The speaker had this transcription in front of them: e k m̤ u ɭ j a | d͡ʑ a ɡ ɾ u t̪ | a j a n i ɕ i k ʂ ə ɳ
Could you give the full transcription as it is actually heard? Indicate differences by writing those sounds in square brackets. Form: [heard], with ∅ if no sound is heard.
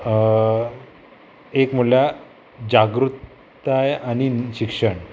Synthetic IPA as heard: e k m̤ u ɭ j a | d͡ʑ a ɡ ɾ u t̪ | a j a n i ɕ i k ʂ ə ɳ